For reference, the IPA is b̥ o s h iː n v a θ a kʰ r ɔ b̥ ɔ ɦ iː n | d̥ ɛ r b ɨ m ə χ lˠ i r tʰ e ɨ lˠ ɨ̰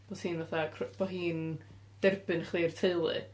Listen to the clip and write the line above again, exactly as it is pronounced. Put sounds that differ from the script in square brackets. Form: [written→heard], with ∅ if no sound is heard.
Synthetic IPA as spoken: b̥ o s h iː n v a θ a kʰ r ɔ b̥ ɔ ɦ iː n | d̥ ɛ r b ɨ [m→n] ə χ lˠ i r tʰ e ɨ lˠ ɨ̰